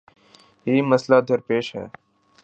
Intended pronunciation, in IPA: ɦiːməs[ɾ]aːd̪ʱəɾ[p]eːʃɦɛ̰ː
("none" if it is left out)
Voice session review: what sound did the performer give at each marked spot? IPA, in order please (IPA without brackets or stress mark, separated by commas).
l, p